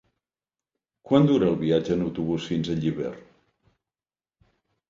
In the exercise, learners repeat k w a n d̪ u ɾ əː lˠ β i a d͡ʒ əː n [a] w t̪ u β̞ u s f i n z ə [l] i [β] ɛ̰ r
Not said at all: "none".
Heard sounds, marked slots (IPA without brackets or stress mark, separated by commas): ə, ʎ, β